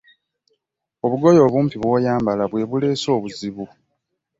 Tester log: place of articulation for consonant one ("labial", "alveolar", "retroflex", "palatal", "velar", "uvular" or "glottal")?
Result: labial